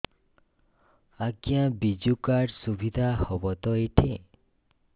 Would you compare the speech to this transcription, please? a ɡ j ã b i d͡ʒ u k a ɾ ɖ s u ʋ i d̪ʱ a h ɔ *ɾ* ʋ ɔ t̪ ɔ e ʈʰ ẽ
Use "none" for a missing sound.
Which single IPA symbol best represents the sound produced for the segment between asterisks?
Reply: none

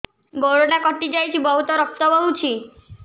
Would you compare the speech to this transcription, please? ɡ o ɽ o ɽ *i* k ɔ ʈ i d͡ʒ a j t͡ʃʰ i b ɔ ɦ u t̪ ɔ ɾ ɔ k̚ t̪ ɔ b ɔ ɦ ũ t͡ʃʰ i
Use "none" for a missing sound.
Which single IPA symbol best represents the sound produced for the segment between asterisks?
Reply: a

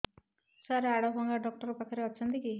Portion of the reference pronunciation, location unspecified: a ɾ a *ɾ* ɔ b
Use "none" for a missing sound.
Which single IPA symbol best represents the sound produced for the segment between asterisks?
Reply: ɽ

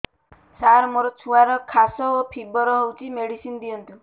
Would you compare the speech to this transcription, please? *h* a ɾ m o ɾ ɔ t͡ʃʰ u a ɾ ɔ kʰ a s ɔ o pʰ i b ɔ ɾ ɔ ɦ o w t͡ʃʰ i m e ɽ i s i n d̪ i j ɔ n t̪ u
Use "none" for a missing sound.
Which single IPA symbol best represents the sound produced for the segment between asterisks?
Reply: s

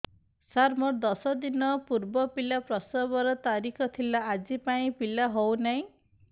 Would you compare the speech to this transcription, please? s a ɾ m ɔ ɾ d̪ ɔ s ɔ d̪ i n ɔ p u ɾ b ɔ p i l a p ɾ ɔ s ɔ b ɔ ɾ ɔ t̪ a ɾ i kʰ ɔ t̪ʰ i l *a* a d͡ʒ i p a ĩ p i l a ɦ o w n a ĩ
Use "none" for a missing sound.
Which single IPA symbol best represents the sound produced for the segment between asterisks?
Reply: a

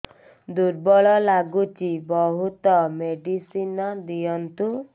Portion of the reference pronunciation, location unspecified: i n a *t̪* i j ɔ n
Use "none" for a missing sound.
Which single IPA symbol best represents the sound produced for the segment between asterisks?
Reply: d̪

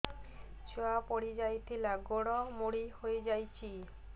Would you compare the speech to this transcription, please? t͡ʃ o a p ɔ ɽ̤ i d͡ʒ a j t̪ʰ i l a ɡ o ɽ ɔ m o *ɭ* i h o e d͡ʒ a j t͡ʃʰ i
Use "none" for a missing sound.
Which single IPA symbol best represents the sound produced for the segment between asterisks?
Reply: ɽ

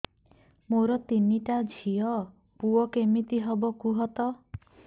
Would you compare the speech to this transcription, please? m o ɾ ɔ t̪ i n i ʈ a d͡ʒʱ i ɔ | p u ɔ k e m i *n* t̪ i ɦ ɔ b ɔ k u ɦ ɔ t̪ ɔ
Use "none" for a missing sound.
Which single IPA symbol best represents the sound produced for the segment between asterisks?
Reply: none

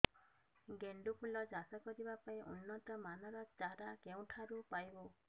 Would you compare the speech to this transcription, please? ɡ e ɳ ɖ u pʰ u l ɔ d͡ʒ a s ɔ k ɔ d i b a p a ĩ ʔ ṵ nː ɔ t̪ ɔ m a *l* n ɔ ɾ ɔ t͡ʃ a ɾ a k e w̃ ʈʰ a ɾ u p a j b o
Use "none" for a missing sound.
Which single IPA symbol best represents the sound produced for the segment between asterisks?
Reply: none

